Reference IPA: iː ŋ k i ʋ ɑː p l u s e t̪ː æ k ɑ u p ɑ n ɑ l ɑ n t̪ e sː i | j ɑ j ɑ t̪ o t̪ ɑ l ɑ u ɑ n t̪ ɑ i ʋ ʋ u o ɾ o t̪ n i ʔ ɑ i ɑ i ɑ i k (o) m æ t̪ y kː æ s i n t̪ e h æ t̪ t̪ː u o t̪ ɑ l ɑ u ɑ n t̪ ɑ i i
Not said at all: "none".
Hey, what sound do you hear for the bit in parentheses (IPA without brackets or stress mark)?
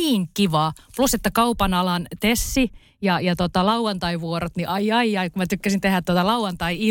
u